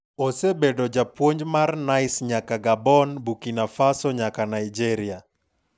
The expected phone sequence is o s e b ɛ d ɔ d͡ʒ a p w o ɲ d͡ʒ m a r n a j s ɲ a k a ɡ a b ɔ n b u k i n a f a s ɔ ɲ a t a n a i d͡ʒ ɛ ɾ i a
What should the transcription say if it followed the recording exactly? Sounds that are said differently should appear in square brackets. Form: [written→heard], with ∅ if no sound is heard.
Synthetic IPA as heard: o s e b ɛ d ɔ d͡ʒ a p w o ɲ d͡ʒ m a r n a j s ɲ a k a ɡ a b ɔ n b u k i n a f a s ɔ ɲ a [t→k] a n a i d͡ʒ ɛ ɾ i a